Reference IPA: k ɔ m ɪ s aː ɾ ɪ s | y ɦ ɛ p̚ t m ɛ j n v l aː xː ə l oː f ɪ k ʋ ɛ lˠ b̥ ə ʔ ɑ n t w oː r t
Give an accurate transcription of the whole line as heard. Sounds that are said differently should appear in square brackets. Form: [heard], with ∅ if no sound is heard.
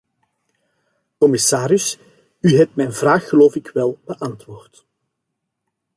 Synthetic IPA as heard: k ɔ m ɪ s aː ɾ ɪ s | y ɦ ɛ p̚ t m ɛ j n v [r] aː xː ə l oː f ɪ k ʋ ɛ lˠ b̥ ə ʔ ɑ n t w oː r t